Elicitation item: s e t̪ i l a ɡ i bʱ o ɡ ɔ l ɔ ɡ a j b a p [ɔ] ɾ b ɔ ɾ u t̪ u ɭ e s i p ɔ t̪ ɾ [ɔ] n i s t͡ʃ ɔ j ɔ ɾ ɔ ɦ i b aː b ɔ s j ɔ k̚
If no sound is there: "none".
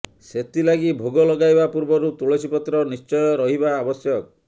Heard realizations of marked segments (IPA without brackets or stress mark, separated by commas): u, ɔ